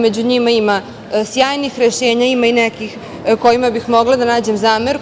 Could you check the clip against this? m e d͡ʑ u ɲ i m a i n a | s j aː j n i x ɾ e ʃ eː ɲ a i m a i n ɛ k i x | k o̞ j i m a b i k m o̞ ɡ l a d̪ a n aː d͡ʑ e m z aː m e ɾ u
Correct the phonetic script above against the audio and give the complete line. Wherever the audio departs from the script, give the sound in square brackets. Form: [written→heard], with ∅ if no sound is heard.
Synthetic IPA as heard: m e d͡ʑ u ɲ i m a i [n→m] a | s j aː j n i x ɾ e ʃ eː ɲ a i m a i n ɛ k i x | k o̞ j i m a b i [k→x] m o̞ ɡ l a d̪ a n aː d͡ʑ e m z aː m e ɾ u